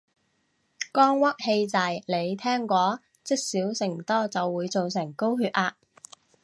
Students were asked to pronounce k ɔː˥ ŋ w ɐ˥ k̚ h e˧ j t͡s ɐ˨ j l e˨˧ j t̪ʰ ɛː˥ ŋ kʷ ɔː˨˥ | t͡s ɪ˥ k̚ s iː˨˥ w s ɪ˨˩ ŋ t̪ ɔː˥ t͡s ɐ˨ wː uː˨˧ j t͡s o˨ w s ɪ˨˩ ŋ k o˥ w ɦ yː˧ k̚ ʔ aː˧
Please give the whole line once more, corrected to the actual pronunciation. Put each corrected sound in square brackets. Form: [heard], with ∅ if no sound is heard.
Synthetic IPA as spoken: k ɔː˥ ŋ w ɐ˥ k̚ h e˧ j t͡s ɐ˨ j l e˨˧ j t̪ʰ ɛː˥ ŋ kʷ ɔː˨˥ | t͡s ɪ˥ k̚ s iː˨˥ w s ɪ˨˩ ŋ t̪ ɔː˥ t͡s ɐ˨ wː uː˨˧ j t͡s o˨ w s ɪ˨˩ ŋ k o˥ w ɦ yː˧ [t̚] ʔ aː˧